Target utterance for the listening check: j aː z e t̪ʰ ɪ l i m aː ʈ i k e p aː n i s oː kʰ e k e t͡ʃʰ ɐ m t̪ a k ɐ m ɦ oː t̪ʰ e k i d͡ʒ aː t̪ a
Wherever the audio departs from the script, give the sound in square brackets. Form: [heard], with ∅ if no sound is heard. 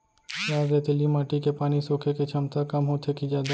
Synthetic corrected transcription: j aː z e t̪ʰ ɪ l i m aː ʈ i k e p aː n i s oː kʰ e k e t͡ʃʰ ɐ m t̪ a k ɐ m ɦ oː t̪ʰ e k i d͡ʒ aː [d̪] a